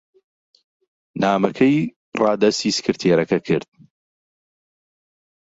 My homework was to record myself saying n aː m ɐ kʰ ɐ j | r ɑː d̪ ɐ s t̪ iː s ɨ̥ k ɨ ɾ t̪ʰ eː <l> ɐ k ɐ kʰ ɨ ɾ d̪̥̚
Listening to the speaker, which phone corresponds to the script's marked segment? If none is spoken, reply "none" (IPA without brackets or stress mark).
ɾ